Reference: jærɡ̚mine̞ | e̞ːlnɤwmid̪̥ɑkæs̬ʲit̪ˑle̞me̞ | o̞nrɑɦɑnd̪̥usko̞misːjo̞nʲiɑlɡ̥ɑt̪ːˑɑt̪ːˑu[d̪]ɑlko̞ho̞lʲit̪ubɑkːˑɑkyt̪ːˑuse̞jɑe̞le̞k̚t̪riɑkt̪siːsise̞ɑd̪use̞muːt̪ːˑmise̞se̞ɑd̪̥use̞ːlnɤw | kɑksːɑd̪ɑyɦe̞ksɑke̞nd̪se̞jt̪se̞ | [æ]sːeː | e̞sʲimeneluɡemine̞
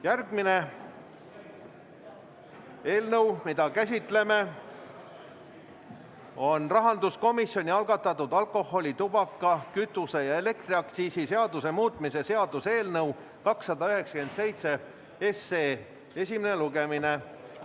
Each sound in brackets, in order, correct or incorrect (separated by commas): correct, incorrect